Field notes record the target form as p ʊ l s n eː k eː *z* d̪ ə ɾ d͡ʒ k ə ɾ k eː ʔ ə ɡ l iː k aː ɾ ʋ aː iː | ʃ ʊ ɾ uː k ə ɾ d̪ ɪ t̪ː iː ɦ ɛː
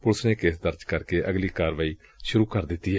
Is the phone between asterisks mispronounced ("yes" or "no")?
yes